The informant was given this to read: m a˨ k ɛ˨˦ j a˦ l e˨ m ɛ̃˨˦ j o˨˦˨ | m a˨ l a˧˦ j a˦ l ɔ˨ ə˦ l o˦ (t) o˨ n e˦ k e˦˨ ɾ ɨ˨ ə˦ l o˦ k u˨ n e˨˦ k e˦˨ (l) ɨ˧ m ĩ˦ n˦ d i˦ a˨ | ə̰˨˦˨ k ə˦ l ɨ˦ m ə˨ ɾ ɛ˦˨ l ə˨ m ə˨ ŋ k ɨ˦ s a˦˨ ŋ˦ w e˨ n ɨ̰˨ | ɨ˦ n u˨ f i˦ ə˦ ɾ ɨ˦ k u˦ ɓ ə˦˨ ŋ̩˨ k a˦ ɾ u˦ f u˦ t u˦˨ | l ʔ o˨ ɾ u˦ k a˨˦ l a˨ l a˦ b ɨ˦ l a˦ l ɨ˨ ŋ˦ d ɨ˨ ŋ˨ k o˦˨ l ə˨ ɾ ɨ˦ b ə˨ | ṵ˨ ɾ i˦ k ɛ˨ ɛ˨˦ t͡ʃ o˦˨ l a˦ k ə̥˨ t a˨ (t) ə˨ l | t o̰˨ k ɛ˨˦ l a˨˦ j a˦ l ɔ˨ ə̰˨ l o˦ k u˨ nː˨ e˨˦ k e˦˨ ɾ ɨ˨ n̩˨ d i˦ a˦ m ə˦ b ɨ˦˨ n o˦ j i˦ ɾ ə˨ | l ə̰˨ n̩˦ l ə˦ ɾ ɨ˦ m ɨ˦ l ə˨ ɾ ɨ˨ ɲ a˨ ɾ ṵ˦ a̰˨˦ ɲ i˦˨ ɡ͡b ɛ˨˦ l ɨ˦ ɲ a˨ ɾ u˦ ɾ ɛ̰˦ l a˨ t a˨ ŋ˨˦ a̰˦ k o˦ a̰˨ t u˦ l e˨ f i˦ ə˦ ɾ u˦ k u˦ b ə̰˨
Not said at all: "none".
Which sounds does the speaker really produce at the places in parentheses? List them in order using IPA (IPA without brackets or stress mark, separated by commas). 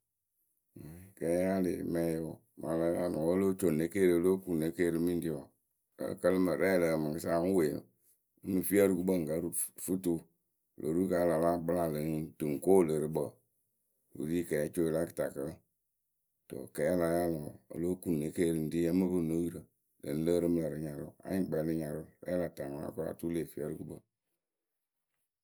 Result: t͡ʃ, ɾ, k